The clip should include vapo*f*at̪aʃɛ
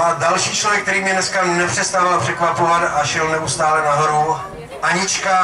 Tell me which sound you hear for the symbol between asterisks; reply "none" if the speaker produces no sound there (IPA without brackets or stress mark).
v